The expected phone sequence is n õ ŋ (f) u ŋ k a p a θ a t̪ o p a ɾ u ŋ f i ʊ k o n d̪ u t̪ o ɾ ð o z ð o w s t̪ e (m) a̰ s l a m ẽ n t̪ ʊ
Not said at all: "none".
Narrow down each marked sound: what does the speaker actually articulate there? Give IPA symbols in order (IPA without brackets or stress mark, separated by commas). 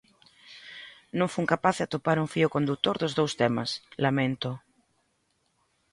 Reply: f, m